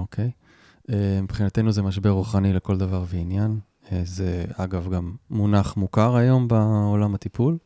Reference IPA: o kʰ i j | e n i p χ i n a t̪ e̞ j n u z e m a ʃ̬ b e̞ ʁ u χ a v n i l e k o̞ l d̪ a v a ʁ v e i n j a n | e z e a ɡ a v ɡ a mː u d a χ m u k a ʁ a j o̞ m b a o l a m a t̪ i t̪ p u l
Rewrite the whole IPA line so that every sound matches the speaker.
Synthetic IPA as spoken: o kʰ e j | e m i p χ i n a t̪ e̞ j n u z e m a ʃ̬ b e̞ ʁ u χ a n i l e k o̞ l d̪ a v a ʁ v e i n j a n | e z e a ɡ a v ɡ a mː u n a χ m u k a ʁ a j o̞ m b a o l a m a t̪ i p u l